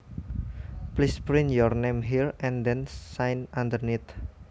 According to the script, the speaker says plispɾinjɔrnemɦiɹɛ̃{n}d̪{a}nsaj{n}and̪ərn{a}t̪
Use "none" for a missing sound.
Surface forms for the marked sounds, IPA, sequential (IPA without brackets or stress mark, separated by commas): n, ɛ, n, i